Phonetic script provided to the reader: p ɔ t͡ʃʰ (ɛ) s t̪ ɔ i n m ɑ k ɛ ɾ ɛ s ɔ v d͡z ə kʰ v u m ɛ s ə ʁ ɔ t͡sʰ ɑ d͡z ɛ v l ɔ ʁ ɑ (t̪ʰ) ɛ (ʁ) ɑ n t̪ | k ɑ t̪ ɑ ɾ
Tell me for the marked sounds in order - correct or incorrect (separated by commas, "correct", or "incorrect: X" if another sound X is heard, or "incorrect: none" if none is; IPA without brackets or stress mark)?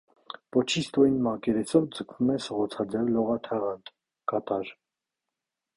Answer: incorrect: i, correct, correct